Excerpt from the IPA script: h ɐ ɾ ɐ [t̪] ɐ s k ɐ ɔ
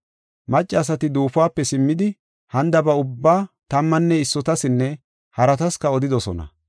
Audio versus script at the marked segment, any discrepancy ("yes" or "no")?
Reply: no